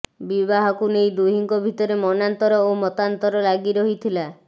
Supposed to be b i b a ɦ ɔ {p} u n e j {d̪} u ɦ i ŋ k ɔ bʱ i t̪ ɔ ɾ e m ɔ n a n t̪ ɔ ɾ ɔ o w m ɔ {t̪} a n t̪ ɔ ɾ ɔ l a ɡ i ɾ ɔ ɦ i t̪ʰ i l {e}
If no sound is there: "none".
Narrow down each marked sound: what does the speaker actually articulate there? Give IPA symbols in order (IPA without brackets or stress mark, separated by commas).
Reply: k, d̪, t̪, a